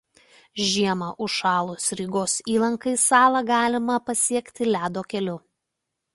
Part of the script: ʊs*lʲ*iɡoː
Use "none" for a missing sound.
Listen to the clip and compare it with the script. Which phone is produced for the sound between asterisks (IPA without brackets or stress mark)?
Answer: ɾʲ